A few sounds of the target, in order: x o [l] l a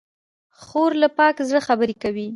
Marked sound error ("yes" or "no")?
yes